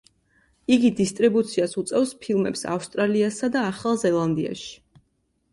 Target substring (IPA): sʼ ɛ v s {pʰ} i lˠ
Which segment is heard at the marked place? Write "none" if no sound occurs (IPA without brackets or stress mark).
pʰ